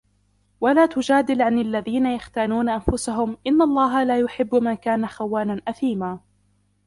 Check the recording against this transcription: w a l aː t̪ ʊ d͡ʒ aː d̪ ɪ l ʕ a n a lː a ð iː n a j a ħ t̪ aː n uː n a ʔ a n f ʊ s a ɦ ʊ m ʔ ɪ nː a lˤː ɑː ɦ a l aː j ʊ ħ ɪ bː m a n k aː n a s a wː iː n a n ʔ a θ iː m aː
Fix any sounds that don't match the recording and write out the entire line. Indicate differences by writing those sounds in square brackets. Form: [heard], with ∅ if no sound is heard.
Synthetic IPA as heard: w a l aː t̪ ʊ d͡ʒ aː d̪ ɪ l ʕ a n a lː a ð iː n a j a [x] t̪ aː n uː n a ʔ a n f ʊ s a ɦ ʊ m ʔ ɪ nː a lˤː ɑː ɦ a l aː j ʊ ħ ɪ bː m a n k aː n a [x] a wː [aː] n a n ʔ a θ iː m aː